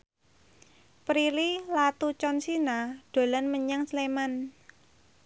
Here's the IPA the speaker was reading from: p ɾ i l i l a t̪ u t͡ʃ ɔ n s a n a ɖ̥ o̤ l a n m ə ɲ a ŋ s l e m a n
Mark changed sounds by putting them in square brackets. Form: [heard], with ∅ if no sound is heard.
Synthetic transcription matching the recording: p ɾ i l i l a t̪ u t͡ʃ ɔ n s [i] n a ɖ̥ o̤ l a n m ə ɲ a ŋ s l e m a n